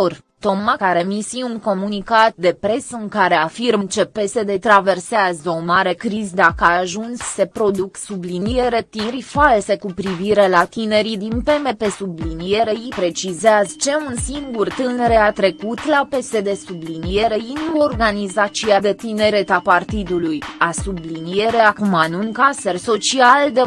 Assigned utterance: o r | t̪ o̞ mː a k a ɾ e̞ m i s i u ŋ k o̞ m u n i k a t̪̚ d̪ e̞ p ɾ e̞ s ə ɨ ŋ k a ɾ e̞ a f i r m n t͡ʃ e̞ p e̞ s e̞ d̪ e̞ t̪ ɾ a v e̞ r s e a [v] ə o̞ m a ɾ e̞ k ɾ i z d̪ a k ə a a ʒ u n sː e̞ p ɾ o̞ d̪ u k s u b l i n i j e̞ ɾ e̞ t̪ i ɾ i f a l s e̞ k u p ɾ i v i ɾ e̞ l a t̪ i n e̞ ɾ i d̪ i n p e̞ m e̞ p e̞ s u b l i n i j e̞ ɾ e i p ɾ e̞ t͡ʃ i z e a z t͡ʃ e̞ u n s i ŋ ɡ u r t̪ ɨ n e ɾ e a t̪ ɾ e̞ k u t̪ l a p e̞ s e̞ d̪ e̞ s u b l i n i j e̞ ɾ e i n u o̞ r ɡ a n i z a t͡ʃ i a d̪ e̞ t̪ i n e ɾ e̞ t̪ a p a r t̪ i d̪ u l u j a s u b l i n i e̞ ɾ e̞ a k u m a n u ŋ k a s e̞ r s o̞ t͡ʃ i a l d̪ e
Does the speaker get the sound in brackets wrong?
yes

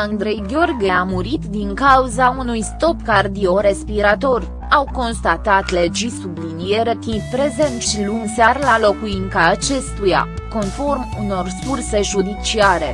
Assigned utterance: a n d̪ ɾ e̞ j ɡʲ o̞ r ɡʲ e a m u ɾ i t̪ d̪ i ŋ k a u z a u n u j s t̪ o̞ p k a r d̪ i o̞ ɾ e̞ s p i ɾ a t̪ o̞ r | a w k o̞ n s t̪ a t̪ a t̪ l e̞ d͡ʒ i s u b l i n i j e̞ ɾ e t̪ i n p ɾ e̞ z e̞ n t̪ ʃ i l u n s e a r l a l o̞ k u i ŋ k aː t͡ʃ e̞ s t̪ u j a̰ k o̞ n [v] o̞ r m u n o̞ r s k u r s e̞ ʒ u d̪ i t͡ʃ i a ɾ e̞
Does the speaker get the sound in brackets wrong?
yes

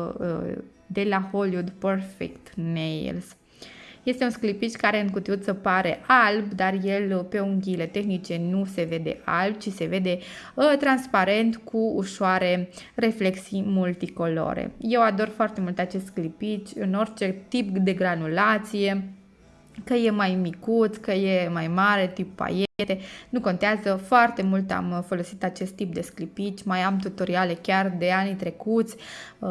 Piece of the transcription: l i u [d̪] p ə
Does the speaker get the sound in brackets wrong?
no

